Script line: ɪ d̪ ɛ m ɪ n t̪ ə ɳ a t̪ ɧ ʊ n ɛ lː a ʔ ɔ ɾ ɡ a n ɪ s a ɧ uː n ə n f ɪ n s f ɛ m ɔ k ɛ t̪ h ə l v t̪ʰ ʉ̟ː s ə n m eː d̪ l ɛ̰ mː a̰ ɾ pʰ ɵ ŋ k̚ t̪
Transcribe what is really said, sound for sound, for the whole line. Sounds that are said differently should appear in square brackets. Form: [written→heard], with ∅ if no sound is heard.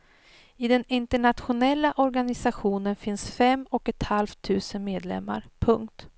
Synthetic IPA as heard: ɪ d̪ ɛ [m→n] ɪ n t̪ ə ɳ a t̪ ɧ ʊ n ɛ lː a ʔ ɔ ɾ ɡ a n ɪ s a ɧ uː n ə n f ɪ n s f ɛ m ɔ k ɛ t̪ h [ə→a] l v t̪ʰ ʉ̟ː s ə n m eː d̪ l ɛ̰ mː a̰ ɾ pʰ ɵ ŋ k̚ t̪